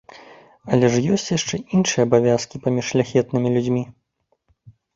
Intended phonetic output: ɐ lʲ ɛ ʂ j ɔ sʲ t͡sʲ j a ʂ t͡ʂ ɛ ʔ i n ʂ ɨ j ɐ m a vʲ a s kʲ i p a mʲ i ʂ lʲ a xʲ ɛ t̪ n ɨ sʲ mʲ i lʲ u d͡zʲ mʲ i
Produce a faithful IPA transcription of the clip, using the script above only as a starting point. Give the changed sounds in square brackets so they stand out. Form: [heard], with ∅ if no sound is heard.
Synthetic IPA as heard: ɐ lʲ ɛ ʂ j ɔ sʲ t͡sʲ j a ʂ t͡ʂ ɛ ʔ i n ʂ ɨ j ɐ [b] a vʲ a s kʲ i p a mʲ i ʂ lʲ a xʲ ɛ t̪ n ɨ [∅] mʲ i lʲ u d͡zʲ mʲ i